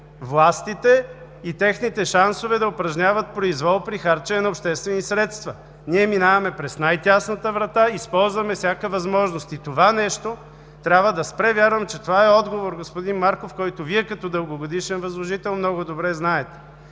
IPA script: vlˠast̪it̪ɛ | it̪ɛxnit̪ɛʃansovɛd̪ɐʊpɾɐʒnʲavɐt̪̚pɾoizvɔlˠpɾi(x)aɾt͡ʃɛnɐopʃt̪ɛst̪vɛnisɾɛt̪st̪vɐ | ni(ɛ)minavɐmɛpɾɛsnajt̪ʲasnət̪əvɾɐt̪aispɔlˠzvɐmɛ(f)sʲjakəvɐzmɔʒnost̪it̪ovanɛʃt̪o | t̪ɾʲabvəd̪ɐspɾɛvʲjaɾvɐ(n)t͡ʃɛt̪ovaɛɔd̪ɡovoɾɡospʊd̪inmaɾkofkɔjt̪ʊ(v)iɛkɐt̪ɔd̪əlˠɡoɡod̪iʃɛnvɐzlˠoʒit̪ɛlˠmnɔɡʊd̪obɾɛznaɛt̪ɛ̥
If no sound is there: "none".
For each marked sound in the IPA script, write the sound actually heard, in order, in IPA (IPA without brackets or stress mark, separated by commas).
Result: x, ɛ, f, m, v